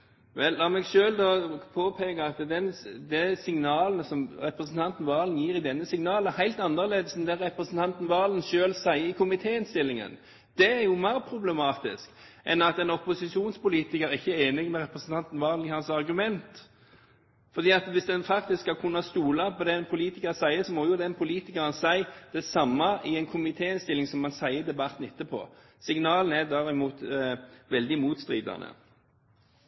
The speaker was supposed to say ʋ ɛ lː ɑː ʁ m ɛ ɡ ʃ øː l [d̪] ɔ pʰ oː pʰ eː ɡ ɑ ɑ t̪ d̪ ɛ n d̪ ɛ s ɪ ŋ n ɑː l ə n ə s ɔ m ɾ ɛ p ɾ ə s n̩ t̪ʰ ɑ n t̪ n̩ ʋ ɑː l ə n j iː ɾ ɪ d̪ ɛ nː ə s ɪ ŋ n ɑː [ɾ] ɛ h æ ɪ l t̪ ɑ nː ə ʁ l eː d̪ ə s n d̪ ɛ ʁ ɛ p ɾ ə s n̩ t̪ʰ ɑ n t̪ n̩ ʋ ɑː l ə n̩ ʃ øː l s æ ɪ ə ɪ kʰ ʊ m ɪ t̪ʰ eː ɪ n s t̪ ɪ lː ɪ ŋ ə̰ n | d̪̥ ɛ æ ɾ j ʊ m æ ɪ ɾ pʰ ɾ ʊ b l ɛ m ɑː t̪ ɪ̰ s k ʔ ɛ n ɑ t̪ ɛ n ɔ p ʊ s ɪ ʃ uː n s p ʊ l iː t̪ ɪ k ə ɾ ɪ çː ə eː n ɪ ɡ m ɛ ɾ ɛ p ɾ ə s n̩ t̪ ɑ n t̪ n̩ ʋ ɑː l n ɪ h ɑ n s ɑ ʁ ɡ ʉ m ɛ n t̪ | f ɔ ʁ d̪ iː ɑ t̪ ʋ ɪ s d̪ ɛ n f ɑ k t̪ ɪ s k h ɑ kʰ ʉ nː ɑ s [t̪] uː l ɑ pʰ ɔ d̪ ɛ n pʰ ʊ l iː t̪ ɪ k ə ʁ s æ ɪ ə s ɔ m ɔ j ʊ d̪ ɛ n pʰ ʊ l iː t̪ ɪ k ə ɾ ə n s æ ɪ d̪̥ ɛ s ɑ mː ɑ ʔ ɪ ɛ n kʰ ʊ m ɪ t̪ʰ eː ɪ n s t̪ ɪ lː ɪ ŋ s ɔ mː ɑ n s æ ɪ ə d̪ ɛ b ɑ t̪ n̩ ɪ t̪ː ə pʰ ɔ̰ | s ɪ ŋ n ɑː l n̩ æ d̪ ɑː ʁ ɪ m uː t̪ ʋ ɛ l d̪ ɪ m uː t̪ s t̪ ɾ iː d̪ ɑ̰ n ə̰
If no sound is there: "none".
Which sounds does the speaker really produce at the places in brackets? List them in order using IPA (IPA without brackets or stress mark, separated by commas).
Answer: d̪, l, t̪